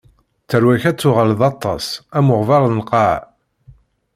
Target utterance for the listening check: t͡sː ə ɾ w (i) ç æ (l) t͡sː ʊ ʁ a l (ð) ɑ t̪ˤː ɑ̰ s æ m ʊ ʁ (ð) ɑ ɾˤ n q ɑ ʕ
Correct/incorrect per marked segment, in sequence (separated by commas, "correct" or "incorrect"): incorrect, incorrect, correct, incorrect